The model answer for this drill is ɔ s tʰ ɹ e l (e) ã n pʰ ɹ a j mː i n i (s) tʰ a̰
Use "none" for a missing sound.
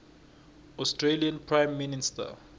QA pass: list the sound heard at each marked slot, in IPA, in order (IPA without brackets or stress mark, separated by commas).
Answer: i, s